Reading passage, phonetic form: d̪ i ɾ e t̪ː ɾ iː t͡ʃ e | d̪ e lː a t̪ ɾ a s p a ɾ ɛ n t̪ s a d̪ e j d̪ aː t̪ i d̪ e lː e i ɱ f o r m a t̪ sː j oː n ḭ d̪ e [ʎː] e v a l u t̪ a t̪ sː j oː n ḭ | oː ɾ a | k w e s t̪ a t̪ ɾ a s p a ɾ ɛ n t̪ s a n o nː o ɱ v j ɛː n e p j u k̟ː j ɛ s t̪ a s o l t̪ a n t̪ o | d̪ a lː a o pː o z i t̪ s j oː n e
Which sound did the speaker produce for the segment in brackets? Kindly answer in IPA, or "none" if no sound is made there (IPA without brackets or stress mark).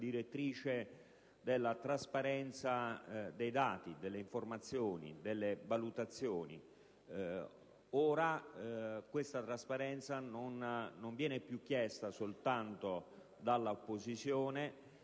lː